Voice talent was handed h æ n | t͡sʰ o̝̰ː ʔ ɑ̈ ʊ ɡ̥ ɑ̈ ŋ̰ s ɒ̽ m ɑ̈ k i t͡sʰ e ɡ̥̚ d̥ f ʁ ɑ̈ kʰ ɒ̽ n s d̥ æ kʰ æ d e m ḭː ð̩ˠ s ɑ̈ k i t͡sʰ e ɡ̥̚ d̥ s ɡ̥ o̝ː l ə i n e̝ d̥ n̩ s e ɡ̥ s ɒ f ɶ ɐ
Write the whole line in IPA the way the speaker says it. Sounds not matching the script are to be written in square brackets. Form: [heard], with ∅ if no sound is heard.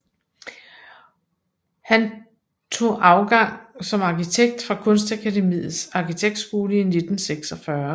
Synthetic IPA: h æ n | t͡sʰ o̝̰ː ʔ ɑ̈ ʊ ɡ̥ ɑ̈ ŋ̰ s ɒ̽ m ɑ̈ k i t͡sʰ e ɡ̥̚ d̥ f ʁ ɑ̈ kʰ [ɔ̽] n s d̥ æ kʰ æ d e m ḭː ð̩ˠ s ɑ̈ k i t͡sʰ e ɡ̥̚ d̥ s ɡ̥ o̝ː l ə i n e̝ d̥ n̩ s e ɡ̥ s ɒ f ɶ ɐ